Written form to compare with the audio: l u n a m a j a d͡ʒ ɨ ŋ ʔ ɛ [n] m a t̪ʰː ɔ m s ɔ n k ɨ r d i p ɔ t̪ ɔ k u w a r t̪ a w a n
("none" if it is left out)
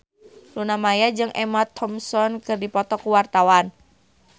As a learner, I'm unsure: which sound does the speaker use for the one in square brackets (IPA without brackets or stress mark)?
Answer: none